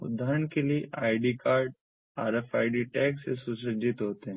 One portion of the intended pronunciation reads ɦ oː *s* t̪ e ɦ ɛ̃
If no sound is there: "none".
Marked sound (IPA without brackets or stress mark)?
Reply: none